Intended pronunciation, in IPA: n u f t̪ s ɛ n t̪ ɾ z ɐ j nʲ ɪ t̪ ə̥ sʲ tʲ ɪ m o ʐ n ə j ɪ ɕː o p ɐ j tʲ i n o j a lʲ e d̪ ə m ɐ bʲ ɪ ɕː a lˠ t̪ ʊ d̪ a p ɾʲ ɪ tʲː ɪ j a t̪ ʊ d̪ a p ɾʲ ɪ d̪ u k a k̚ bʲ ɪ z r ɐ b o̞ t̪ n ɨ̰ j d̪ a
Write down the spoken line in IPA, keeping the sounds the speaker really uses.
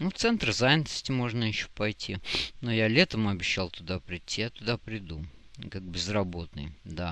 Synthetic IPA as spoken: n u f t̪ s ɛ n t̪ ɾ z a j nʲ ɪ t̪ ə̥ sʲ tʲ ɪ m o ʐ n ə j ɪ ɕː o p ɐ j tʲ i n o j a lʲ e t̪ ə m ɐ bʲ ɪ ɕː a lˠ t̪ ʊ d̪ a p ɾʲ ɪ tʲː i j a t̪ ʊ d̪ a p ɾʲ ɪ d̪ u k a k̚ bʲ ɪ z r ɐ b o̞ t̪ n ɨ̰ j d̪ a

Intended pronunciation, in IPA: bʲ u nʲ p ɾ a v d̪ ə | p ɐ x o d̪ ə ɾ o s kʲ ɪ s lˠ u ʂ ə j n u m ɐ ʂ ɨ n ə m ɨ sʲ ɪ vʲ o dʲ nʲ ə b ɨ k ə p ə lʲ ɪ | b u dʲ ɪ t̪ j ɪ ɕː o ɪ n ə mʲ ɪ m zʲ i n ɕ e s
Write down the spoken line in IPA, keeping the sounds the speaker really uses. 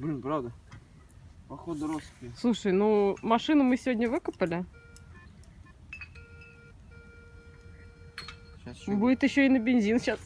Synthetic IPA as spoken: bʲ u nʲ p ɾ a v d̪ ə | p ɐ x o d̪ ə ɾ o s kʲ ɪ s lˠ u ʂ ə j n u m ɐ ʂ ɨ n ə m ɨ sʲ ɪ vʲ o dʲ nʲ ə v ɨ k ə p ə lʲ ɪ | b u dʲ ɪ t̪ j ɪ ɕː o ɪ n ə bʲ ɪ n zʲ i n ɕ a s

